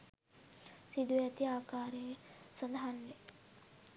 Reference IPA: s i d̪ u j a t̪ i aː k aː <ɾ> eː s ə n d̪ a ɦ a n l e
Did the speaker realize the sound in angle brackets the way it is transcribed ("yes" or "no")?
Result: yes